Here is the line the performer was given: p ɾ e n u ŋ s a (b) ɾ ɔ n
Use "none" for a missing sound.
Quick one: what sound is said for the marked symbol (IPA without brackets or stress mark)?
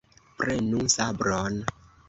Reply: b